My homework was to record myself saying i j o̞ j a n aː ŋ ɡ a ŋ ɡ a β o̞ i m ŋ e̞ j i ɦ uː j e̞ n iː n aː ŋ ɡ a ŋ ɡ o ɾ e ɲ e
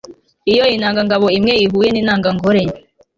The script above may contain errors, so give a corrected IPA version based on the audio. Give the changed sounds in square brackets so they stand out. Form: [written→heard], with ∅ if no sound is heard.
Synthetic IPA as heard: i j o̞ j [a→i] n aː ŋ ɡ a ŋ ɡ a β o̞ i m ŋ e̞ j i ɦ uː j e̞ n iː n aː ŋ ɡ a ŋ ɡ o ɾ e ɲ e